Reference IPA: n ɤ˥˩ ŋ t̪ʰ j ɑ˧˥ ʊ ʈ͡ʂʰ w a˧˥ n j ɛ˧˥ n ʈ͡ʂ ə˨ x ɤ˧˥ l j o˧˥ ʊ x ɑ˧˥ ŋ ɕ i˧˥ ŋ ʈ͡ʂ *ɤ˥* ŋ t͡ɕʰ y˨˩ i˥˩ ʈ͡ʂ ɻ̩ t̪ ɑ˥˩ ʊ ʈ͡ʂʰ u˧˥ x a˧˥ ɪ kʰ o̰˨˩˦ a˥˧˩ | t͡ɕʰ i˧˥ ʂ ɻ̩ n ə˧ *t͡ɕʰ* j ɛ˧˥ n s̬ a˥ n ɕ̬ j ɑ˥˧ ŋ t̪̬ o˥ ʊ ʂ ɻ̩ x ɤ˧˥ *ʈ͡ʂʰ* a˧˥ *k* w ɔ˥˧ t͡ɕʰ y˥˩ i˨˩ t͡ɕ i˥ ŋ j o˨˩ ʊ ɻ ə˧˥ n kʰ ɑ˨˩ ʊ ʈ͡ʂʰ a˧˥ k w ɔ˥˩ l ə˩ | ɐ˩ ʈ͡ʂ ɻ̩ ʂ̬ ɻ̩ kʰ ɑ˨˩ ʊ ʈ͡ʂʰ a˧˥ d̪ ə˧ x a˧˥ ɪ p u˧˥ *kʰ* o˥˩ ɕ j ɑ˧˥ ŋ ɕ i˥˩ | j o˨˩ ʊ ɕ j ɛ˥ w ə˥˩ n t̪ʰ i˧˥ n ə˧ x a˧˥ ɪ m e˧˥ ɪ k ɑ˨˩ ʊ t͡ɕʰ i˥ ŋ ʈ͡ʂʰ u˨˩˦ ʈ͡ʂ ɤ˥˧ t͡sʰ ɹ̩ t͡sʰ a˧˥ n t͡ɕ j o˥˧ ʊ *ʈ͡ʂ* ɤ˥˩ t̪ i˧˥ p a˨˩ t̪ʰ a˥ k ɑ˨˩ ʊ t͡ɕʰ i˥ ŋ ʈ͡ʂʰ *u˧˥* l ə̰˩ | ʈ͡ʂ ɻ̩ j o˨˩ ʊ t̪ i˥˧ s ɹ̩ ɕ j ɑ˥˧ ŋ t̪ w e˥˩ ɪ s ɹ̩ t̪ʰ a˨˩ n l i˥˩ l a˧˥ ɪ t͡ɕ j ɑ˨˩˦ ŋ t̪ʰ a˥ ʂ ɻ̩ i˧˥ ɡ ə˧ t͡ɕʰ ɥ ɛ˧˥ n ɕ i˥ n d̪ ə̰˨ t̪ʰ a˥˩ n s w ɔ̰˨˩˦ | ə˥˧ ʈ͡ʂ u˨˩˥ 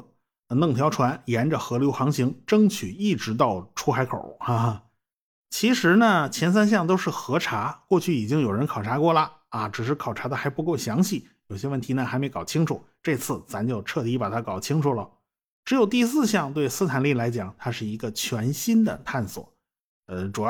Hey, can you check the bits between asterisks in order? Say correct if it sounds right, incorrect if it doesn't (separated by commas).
correct, correct, correct, correct, incorrect, incorrect, incorrect